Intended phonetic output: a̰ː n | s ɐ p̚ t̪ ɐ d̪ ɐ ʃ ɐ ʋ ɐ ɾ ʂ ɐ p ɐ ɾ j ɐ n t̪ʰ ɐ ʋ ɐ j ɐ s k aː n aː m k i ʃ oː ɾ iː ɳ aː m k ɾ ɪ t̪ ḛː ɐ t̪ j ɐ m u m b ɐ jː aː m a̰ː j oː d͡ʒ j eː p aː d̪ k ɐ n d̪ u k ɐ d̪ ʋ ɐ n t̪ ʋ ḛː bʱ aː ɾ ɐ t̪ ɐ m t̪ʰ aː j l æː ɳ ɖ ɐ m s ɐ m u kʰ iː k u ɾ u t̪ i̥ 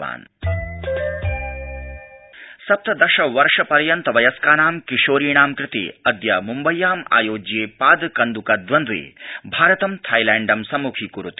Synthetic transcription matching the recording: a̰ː n | s ɐ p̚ t̪ ɐ d̪ ɐ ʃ ɐ ʋ ɐ ɾ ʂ ɐ p ɐ ɾ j ɐ n t̪ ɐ ʋ ɐ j ɐ s k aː n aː m k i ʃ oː ɾ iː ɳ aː m k ɾ ɪ t̪ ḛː ɐ d̪ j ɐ m u m b ɐ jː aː m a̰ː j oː d͡ʒ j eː p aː d̪ k ɐ n d̪ u k ɐ d̪ ʋ ɐ n d̪ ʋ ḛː bʱ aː ɾ ɐ t̪ ɐ m t̪ʰ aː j l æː ɳ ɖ ɐ m s ɐ m u kʰ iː k u ɾ u t̪ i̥

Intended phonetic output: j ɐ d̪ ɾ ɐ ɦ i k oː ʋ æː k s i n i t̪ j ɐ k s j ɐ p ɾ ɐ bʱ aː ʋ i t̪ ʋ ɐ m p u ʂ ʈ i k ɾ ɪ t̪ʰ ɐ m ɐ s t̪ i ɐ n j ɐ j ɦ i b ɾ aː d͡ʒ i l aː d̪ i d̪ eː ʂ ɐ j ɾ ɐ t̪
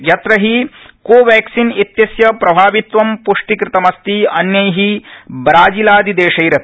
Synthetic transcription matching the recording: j ɐ t̪ ɾ ɐ ɦ i k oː ʋ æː k s i n i t̪ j ɐ s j ɐ p ɾ ɐ bʱ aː ʋ i t̪ ʋ ɐ m p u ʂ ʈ i k ɾ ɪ t̪ ɐ m ɐ s t̪ i ɐ n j ɐ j ɦ i b ɾ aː d͡ʒ i l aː d̪ i d̪ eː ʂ ɐ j ɾ ɐ t̪

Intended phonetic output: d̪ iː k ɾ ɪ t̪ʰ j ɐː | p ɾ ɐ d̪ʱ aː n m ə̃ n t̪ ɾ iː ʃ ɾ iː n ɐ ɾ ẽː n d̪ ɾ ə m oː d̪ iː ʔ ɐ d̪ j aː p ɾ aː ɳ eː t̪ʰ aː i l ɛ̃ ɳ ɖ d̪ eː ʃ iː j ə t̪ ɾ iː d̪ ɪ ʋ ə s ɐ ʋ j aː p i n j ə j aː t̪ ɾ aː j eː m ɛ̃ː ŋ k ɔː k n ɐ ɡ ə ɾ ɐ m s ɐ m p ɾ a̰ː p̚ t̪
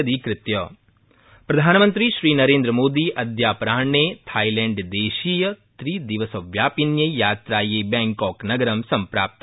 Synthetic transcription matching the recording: d̪ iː k ɾ ɪ t̪ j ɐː | p ɾ ɐ d̪ʱ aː n m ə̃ n t̪ ɾ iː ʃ ɾ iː n ɐ ɾ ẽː n d̪ ɾ ə m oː d̪ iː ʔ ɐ d̪ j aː p ɾ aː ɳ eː t̪ʰ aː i l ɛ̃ ɳ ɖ d̪ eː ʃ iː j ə t̪ ɾ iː d̪ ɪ ʋ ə s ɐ ʋ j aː p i n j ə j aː t̪ ɾ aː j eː b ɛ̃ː ŋ k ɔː k n ɐ ɡ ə ɾ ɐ m s ɐ m p ɾ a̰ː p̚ t̪

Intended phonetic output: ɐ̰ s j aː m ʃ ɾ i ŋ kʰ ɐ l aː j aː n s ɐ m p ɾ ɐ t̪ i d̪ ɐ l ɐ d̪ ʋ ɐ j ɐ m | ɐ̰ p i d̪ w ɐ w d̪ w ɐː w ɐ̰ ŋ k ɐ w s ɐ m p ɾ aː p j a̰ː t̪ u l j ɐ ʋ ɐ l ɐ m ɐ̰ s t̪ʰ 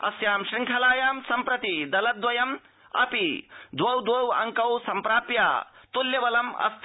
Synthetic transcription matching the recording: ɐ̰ s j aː m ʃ ɾ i ŋ kʰ ɐ l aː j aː m s ɐ m p ɾ ɐ t̪ i d̪ ɐ l ɐ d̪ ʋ ɐ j ɐ m | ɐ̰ p i d̪ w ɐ w d̪ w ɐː w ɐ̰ ŋ k ɐ w s ɐ m p ɾ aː p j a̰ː t̪ u l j ɐ ʋ ɐ l ɐ m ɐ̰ s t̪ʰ

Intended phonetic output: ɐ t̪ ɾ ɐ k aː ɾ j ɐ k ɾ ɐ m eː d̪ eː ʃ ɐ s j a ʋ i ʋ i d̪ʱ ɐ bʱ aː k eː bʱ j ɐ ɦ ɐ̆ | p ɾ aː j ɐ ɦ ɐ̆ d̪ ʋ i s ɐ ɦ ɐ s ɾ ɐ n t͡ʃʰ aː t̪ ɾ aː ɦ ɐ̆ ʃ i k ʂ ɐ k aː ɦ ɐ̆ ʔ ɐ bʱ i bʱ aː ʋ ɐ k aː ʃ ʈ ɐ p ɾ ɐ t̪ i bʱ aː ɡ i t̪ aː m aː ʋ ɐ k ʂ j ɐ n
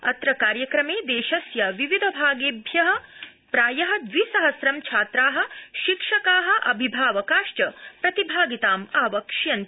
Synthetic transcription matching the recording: ɐ t̪ ɾ ɐ k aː ɾ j ɐ k ɾ ɐ m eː d̪ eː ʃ ɐ s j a ʋ i ʋ i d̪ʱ ɐ bʱ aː ɡ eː bʱ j ɐ ɦ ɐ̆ | p ɾ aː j ɐ ɦ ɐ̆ d̪ ʋ i s ɐ ɦ ɐ s ɾ ɐ m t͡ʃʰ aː t̪ ɾ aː ɦ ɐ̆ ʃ i k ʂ ɐ k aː ɦ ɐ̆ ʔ ɐ bʱ i bʱ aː ʋ ɐ k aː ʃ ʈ ɐ p ɾ ɐ t̪ i bʱ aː ɡ i t̪ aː m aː ʋ ɐ k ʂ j ɐ n

